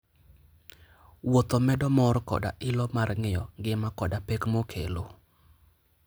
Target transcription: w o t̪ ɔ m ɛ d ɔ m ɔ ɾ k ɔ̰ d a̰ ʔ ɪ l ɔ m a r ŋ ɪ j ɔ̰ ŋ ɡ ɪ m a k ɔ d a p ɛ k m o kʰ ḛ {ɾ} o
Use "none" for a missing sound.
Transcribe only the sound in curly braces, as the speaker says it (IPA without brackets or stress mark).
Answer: l